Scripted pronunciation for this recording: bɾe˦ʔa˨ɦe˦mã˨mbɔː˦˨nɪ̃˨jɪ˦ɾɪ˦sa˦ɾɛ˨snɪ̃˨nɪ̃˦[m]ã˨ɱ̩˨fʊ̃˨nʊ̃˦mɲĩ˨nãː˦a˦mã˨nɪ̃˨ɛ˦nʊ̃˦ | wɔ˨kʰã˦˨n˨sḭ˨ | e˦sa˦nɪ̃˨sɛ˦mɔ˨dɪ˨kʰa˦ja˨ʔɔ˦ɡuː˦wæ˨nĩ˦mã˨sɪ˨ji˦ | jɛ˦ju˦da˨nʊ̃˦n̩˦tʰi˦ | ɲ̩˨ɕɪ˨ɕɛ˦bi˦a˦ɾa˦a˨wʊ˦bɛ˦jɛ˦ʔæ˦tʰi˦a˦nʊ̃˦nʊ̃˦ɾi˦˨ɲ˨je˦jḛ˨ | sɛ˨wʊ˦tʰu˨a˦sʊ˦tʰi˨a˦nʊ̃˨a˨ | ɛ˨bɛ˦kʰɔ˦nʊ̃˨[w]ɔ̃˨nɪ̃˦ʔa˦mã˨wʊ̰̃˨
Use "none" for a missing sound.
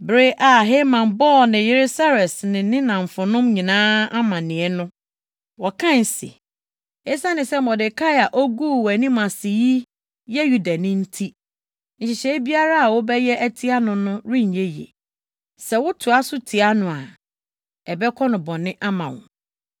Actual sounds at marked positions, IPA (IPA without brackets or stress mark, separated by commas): n, b